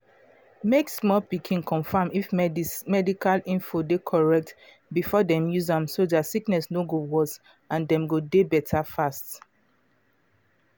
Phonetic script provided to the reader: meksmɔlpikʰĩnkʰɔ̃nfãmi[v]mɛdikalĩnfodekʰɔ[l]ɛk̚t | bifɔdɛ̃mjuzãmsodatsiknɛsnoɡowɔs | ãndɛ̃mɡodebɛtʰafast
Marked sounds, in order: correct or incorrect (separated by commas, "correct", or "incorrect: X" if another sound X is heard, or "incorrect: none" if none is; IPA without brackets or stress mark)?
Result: incorrect: f, incorrect: ɹ